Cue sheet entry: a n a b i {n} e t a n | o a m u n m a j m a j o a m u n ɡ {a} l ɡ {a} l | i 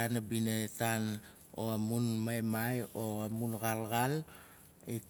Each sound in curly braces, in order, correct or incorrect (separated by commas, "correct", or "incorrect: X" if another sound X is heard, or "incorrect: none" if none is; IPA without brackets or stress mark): correct, correct, correct